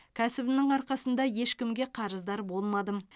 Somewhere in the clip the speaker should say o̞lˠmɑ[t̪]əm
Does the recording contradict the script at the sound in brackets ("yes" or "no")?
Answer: yes